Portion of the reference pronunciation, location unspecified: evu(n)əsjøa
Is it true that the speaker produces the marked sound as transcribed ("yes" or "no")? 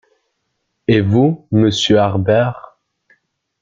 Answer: no